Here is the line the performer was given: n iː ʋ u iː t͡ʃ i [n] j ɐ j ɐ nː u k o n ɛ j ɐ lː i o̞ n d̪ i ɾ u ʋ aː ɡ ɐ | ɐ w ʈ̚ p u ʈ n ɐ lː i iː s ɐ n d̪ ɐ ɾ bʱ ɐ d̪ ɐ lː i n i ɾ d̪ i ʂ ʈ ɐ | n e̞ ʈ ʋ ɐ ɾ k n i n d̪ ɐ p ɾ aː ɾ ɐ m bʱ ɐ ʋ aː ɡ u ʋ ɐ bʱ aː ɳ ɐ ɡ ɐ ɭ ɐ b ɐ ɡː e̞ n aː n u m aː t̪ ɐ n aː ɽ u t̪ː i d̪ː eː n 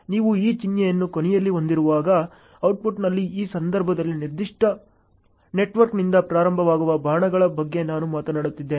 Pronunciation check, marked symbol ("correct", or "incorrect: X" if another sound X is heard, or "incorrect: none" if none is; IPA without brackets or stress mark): correct